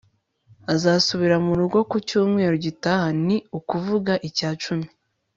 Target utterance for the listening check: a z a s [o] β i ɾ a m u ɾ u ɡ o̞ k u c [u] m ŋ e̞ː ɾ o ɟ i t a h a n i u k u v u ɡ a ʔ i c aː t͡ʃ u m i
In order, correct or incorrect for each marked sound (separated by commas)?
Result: incorrect, incorrect